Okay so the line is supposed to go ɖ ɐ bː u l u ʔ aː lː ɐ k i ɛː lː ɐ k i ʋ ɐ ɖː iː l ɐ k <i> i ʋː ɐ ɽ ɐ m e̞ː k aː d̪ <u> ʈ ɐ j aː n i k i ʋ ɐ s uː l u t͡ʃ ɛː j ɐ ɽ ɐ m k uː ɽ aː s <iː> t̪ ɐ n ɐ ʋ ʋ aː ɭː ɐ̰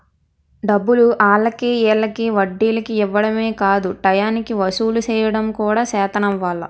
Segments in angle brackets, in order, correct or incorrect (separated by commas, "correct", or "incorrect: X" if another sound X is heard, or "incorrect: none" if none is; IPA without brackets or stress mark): correct, correct, incorrect: ɛː